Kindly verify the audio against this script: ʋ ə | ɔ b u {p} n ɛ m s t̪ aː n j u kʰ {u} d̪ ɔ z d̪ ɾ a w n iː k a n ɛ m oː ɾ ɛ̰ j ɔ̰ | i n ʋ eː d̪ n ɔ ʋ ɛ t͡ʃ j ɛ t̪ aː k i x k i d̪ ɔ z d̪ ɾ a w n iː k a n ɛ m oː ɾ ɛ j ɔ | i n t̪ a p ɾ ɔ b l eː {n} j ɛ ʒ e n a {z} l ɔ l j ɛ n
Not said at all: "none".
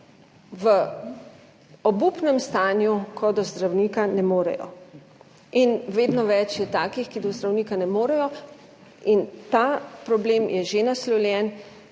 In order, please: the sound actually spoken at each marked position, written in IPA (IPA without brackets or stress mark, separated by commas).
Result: p, ɔ, m, s